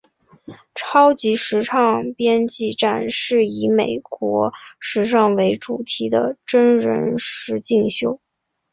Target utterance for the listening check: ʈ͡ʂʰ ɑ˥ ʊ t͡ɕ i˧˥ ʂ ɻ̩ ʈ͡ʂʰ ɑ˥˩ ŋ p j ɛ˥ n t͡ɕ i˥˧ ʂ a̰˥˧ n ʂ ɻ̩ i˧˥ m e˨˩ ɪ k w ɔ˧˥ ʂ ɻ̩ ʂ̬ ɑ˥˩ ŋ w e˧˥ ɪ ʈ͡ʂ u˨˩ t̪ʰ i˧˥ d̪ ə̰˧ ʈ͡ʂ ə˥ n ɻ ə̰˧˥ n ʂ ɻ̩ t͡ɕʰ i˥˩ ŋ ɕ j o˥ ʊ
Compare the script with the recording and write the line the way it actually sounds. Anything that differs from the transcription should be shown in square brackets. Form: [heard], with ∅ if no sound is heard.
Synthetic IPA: ʈ͡ʂʰ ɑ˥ ʊ t͡ɕ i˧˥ ʂ ɻ̩ ʈ͡ʂʰ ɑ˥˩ ŋ p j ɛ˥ n t͡ɕ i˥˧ [ʈ͡ʂ] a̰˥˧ n ʂ ɻ̩ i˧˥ m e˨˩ ɪ k w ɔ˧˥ ʂ ɻ̩ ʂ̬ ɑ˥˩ ŋ w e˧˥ ɪ ʈ͡ʂ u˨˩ t̪ʰ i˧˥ d̪ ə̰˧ ʈ͡ʂ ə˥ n ɻ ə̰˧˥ n ʂ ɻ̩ [t͡ɕ] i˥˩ ŋ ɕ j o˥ ʊ